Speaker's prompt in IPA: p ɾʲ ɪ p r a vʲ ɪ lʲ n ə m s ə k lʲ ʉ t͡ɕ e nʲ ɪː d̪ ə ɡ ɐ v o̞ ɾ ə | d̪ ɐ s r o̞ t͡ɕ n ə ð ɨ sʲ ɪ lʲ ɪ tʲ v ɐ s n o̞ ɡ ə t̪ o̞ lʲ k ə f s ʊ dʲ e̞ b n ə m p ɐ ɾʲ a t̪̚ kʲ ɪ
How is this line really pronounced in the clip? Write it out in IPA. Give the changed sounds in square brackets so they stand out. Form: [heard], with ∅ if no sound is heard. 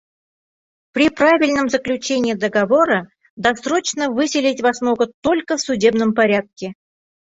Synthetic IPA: p ɾʲ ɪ p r a vʲ ɪ lʲ n ə m [z] ə k lʲ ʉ t͡ɕ e nʲ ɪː d̪ ə ɡ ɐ v o̞ ɾ ə | d̪ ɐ s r o̞ t͡ɕ n ə [v] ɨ sʲ ɪ lʲ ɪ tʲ v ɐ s n o̞ ɡ ə t̪ o̞ lʲ k ə f s ʊ dʲ e̞ b n ə m p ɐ ɾʲ a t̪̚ kʲ ɪ